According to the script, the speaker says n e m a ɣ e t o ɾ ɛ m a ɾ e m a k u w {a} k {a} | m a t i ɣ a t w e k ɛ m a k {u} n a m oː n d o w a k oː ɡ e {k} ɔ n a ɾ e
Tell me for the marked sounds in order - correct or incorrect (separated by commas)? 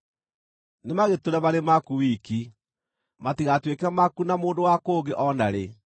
incorrect, incorrect, correct, incorrect